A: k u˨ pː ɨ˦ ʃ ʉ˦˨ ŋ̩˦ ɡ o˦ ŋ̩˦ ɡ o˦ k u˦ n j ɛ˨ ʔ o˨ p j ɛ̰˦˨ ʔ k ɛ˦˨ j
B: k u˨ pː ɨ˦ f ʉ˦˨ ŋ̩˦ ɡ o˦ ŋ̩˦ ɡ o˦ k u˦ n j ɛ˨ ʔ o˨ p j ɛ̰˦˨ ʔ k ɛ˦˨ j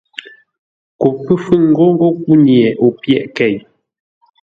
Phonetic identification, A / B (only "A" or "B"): B